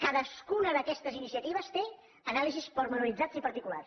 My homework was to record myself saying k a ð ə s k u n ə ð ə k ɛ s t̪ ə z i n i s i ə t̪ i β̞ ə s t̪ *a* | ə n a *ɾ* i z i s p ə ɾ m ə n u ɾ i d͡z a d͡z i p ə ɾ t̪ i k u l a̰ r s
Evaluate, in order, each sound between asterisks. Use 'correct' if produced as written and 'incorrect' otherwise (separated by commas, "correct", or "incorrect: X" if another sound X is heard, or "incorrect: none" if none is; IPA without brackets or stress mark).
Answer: incorrect: e, incorrect: l